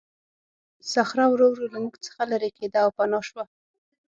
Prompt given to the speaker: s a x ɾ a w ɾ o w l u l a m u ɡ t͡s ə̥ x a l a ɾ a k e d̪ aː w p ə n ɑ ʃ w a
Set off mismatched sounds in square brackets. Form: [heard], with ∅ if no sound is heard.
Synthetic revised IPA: s a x ɾ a w ɾ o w [ɾ] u l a m u ɡ t͡s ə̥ x a l a ɾ [e] k e d̪ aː w p [a] n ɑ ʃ w a